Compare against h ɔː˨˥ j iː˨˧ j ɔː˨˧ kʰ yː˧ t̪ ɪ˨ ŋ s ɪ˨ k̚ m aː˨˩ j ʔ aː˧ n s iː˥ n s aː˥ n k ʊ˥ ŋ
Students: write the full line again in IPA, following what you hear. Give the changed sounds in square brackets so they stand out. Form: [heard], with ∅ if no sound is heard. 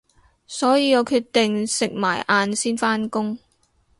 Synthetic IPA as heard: [s] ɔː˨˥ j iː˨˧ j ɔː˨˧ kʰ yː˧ t̪ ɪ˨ ŋ s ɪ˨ k̚ m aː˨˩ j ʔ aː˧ n s iː˥ n [f] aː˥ n k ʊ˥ ŋ